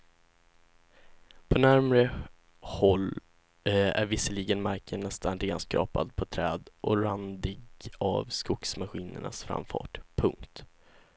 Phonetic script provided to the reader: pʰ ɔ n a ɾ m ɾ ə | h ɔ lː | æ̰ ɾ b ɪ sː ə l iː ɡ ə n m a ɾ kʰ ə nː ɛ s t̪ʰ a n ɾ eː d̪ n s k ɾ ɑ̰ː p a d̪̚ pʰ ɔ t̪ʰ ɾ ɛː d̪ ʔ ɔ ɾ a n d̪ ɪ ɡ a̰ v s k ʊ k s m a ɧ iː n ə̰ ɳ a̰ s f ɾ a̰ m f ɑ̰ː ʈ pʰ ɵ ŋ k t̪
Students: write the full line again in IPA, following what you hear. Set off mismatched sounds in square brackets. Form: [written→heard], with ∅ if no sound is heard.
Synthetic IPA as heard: pʰ ɔ n [a→æ] ɾ m ɾ ə | h ɔ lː | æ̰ ɾ [b→v] ɪ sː ə l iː ɡ ə n m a ɾ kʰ ə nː ɛ s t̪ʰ a n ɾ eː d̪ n s k ɾ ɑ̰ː p a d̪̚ pʰ ɔ t̪ʰ ɾ ɛː d̪ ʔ ɔ ɾ a n d̪ ɪ ɡ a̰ v s k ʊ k s m a ɧ iː n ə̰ ɳ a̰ s f ɾ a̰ m f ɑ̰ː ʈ pʰ ɵ ŋ k t̪